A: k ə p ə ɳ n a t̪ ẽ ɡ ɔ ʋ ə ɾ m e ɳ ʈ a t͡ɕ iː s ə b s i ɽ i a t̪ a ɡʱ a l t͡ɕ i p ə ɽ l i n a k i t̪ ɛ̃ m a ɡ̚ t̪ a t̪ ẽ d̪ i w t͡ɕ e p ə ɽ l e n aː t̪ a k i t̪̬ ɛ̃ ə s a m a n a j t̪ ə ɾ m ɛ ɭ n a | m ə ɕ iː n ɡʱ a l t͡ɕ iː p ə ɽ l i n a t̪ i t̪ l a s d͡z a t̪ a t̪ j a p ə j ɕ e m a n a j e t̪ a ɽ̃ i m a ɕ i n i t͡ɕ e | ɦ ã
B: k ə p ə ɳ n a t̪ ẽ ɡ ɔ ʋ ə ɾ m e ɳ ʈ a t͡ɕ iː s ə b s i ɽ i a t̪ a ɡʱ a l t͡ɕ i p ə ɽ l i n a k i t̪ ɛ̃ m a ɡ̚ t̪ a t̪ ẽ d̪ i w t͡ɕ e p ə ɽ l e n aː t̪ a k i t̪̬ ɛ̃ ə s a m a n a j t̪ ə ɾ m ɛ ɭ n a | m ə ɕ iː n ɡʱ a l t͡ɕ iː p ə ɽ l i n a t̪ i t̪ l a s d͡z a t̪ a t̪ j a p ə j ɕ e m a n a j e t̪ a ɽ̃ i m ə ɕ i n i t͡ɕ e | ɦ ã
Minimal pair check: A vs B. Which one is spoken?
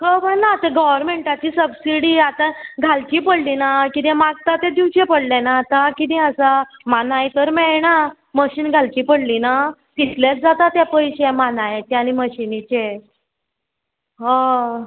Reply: B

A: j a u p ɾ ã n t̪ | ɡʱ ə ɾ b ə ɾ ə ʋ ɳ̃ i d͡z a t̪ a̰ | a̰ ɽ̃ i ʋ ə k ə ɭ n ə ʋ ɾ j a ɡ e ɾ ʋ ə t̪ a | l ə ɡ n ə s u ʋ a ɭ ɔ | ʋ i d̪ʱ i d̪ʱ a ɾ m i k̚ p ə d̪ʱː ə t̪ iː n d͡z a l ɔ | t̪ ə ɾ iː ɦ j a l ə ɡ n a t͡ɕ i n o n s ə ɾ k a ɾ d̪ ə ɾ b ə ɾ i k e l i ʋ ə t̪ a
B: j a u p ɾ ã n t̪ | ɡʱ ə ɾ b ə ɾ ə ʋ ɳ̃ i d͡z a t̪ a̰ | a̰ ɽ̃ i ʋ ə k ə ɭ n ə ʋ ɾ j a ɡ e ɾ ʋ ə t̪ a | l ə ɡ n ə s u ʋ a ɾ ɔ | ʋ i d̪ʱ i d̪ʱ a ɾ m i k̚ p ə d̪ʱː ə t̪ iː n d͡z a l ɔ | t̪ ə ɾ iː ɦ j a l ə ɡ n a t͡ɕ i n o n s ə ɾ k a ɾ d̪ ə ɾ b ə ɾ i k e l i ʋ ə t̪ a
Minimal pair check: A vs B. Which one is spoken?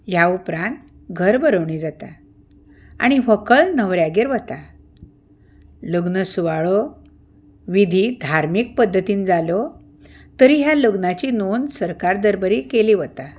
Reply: A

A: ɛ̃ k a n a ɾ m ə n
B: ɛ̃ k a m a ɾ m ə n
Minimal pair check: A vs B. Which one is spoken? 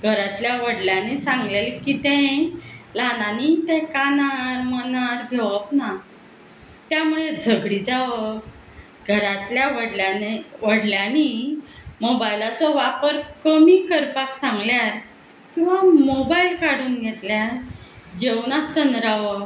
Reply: A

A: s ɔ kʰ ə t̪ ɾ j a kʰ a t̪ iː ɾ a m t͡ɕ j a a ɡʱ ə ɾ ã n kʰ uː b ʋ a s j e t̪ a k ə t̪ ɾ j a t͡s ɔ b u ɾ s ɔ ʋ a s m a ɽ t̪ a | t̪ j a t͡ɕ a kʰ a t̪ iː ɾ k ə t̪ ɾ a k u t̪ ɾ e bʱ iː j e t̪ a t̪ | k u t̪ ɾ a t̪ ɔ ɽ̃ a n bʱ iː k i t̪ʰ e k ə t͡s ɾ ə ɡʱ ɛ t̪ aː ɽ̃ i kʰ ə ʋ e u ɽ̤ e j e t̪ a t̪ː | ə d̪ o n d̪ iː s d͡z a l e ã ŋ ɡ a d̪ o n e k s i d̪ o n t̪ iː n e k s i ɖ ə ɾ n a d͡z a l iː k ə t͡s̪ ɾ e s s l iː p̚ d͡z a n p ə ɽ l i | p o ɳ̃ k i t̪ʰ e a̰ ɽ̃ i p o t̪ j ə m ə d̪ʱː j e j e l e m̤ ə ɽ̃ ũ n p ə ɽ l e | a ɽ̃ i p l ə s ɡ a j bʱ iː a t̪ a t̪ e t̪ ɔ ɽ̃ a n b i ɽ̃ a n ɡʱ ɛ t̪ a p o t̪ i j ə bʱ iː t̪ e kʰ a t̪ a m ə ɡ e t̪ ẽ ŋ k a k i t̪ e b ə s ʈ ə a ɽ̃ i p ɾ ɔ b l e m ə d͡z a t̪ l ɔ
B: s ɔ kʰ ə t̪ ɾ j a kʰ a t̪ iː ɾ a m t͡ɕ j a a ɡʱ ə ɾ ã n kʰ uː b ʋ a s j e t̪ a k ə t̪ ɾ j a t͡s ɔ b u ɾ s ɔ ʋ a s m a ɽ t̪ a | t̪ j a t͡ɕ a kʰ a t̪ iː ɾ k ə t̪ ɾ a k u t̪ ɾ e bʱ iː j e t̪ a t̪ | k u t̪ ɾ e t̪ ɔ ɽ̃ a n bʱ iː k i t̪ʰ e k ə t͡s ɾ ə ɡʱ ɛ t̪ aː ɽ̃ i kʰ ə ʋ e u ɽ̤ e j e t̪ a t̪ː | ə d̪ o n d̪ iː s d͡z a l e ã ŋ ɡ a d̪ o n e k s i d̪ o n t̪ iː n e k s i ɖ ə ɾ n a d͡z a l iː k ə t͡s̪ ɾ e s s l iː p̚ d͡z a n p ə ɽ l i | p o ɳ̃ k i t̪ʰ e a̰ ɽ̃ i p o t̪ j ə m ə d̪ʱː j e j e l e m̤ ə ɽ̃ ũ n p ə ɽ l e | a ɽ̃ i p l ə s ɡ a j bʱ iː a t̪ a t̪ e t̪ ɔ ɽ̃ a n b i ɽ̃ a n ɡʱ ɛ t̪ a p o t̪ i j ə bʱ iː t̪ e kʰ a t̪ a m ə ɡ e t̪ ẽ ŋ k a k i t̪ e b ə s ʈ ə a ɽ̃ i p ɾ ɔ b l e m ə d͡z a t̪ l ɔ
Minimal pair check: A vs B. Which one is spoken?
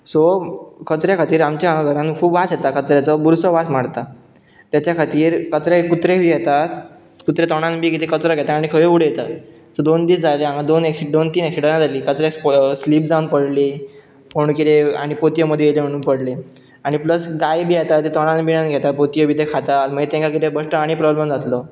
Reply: B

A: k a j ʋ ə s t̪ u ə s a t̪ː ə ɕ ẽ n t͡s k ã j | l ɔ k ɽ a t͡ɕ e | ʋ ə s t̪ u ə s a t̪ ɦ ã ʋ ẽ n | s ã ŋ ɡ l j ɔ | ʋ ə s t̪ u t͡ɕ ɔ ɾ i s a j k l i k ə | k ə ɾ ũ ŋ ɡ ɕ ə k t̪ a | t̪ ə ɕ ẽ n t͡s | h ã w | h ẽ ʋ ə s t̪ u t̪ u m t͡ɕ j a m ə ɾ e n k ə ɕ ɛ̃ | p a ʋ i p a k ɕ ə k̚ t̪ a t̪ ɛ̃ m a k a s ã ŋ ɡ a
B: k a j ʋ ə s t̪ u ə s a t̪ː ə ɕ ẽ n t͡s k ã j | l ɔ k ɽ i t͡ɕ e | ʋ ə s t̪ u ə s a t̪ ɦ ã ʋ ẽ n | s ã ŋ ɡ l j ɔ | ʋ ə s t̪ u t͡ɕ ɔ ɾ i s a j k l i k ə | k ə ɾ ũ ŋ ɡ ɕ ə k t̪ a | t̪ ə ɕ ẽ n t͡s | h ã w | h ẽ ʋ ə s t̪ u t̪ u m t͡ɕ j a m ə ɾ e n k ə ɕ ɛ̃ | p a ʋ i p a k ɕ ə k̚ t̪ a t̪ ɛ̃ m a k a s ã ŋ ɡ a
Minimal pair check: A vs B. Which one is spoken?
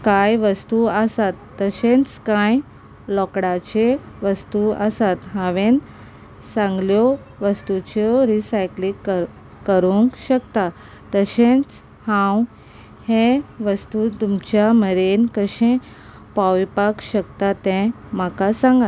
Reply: A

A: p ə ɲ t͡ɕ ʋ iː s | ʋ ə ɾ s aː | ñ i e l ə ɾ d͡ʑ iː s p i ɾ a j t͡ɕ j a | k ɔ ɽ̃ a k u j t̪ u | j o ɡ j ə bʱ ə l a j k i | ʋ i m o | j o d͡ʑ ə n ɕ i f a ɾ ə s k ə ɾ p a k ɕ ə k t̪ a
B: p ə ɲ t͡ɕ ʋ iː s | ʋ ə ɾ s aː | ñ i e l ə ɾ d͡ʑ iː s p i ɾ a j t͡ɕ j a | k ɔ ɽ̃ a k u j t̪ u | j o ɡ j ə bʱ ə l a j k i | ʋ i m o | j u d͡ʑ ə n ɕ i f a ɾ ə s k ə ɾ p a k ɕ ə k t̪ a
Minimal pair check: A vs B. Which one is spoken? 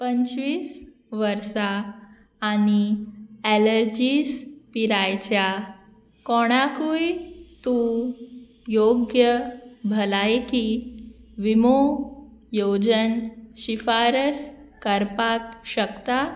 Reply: A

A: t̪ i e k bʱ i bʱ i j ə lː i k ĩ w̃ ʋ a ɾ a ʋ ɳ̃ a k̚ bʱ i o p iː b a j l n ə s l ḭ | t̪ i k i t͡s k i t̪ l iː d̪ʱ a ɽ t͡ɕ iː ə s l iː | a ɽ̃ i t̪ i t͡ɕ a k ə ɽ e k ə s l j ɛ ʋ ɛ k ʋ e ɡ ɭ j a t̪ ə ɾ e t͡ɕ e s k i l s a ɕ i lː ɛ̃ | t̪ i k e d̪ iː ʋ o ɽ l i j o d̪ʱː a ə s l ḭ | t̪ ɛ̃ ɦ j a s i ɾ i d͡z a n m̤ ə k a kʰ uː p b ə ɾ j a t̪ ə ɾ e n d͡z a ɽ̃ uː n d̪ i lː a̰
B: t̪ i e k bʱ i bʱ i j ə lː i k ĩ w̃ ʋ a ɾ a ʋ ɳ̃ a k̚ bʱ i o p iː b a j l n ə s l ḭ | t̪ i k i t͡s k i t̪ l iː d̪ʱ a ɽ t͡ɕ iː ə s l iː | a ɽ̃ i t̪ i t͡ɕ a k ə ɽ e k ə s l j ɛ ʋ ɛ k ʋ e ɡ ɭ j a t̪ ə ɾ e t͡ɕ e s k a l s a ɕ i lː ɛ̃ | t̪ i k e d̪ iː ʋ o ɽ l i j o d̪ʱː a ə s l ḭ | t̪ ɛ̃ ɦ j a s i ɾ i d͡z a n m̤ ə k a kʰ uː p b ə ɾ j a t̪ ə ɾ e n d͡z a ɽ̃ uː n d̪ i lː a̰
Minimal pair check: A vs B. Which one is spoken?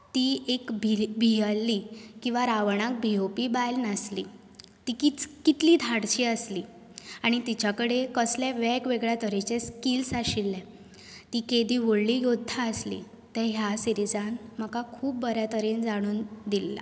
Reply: A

